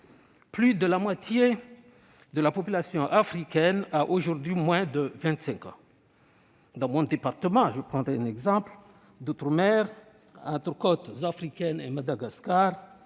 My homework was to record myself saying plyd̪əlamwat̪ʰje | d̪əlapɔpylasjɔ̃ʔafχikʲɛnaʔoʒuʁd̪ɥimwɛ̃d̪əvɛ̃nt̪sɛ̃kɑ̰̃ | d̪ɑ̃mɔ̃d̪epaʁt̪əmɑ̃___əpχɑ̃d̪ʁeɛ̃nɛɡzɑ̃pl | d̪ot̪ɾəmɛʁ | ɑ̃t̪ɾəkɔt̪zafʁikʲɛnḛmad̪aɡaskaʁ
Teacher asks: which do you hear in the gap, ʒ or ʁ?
ʒ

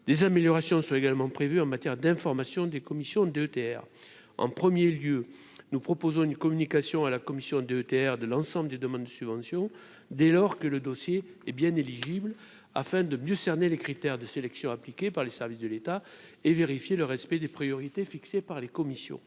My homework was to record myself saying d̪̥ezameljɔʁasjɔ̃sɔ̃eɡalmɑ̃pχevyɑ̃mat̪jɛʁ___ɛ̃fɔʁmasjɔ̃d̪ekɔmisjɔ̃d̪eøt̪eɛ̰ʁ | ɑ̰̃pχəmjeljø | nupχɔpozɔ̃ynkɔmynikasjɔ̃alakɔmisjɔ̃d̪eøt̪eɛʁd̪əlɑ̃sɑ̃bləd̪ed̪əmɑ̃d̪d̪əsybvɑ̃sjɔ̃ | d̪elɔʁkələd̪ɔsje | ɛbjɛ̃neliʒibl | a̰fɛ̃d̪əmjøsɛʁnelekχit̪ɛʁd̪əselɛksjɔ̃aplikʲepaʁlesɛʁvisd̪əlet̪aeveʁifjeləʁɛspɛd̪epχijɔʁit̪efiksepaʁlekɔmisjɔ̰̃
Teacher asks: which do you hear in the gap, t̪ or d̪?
d̪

